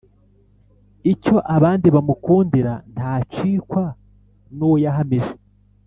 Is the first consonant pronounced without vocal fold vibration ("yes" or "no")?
yes